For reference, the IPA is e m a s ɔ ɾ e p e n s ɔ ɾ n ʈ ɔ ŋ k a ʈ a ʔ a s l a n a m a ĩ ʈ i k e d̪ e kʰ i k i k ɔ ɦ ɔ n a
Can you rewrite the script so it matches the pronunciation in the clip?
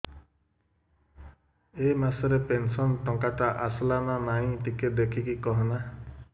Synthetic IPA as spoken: e m a s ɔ ɾ e p e n s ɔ n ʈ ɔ ŋ k a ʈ a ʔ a s l a m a m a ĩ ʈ i k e d̪ e kʰ i k i k ɔ ɦ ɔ n a